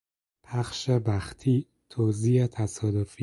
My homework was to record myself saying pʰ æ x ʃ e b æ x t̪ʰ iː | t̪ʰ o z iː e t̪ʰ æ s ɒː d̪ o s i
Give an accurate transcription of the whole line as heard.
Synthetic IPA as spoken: pʰ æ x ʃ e b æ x t̪ʰ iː | t̪ʰ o z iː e t̪ʰ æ s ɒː d̪ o f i